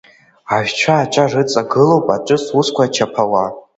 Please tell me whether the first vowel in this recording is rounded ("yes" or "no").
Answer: no